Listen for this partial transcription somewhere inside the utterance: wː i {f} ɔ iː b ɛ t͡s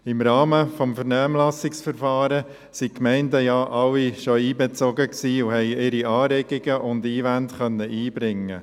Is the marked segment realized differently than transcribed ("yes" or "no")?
yes